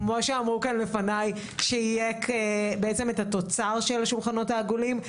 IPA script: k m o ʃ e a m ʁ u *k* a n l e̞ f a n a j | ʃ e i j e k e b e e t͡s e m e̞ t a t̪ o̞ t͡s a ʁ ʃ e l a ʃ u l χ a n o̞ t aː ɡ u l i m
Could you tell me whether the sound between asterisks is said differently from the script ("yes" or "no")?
no